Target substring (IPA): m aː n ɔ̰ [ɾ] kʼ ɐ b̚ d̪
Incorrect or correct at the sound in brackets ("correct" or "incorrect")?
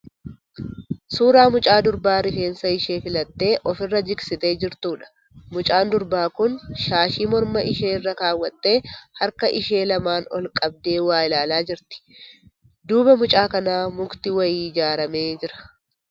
incorrect